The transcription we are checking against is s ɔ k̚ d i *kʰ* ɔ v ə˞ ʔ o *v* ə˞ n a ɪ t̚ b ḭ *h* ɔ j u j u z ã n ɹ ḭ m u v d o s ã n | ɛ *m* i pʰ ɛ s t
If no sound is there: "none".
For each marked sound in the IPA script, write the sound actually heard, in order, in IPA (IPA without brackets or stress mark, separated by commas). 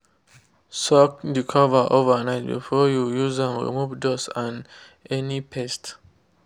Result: kʰ, v, f, n